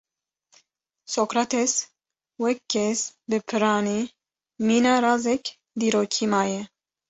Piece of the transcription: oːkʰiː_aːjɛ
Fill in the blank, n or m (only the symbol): m